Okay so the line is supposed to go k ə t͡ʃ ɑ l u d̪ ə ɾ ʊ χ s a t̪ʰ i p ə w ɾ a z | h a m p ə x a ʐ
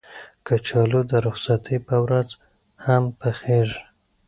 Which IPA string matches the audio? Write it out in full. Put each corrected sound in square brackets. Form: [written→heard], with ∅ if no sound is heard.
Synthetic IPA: k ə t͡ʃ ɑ l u d̪ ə ɾ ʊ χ s a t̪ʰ i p ə w ɾ a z | h a m p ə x [a→e] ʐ

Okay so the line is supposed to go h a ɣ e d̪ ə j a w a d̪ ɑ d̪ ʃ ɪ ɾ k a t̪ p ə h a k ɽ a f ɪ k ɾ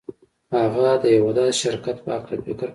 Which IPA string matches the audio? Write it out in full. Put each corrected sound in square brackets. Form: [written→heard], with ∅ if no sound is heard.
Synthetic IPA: h a ɣ [e→a] d̪ ə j a w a d̪ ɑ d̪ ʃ ɪ ɾ k a t̪ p ə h a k [ɽ→l] a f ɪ k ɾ

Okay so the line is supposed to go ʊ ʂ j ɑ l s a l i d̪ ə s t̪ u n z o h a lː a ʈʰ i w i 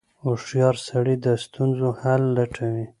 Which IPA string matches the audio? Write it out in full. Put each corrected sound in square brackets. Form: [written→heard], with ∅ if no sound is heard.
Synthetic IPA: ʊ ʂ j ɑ [l→ɾ] s a [l→ɽ] i d̪ ə s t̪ u n z o h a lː a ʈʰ [i→a] w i

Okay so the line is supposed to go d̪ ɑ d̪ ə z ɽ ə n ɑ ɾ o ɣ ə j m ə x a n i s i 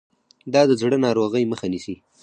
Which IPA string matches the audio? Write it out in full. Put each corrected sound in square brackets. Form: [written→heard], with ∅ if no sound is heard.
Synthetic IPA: d̪ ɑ d̪ ə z ɽ ə n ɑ ɾ o ɣ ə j m ə x a n i s i

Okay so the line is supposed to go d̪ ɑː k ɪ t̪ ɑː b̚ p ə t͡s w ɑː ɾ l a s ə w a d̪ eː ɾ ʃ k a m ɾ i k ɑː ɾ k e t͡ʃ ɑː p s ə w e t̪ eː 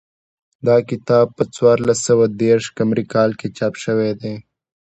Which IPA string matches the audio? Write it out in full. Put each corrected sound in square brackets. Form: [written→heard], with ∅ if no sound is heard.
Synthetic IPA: d̪ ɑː k ɪ t̪ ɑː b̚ p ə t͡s w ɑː ɾ l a s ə w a d̪ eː ɾ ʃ k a m ɾ i k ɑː [ɾ→l] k e t͡ʃ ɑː p [s→ʃ] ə w e [t̪→d̪] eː

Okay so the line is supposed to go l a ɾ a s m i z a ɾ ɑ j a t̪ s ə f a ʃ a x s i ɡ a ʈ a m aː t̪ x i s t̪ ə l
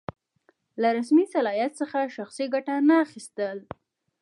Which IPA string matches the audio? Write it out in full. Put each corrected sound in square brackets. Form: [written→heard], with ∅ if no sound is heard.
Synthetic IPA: l a ɾ a s m i [z→s] a [ɾ→l] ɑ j a t̪ s ə [f→x] a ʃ a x s i ɡ a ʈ a [m→n] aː [t̪→∅] x i s t̪ ə l

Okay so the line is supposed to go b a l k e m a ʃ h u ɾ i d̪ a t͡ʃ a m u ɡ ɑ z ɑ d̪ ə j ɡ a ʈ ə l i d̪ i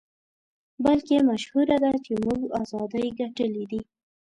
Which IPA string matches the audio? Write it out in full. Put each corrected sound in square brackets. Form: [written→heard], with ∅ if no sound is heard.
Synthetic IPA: b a l k e m a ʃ h u ɾ [i→a] d̪ a t͡ʃ [a→e] m u ɡ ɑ z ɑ d̪ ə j ɡ a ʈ ə l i d̪ i

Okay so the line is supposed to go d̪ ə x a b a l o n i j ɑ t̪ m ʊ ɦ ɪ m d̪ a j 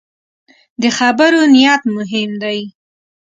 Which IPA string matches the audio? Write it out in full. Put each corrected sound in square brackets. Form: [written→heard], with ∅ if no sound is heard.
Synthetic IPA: d̪ ə x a b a [l→ɾ] o n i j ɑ t̪ m ʊ ɦ ɪ m d̪ a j

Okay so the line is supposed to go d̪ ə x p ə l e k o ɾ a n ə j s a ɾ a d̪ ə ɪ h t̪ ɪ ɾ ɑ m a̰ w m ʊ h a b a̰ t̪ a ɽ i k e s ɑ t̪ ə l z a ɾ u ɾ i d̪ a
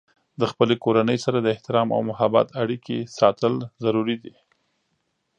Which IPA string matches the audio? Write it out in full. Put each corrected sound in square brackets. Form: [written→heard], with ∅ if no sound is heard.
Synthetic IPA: d̪ ə x p ə l e k o ɾ a n ə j s a ɾ a d̪ ə ɪ h t̪ ɪ ɾ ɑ m a̰ w m ʊ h a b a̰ t̪ a ɽ i k e s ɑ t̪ ə l z a ɾ u ɾ i d̪ [a→i]

